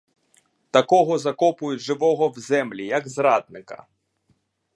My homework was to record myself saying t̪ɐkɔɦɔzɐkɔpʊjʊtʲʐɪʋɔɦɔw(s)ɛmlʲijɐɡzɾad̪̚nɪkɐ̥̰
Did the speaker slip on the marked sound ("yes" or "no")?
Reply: yes